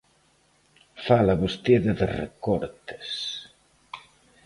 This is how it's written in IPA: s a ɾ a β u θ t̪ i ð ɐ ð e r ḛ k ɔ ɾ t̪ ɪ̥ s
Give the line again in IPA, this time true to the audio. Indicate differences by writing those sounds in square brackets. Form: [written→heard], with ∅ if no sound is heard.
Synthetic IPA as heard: [s→f] a [ɾ→l] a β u [θ→s] t̪ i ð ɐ ð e r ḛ k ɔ ɾ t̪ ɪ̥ s